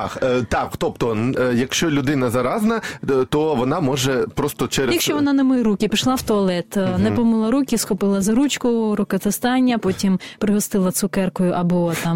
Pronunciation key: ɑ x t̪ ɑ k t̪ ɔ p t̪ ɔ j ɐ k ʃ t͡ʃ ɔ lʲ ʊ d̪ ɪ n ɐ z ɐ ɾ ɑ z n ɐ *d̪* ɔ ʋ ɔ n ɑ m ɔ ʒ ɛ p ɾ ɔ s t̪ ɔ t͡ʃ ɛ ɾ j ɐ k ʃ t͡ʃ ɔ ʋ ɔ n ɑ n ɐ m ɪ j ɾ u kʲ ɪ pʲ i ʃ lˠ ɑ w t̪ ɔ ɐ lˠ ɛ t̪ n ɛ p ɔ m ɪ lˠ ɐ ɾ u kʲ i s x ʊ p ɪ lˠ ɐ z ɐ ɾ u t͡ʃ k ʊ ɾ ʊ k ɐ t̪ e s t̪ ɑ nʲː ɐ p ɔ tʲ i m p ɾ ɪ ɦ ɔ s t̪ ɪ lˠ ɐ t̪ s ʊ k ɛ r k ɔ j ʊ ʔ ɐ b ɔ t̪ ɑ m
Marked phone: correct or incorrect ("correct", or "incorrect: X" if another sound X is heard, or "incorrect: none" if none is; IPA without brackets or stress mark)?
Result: incorrect: t̪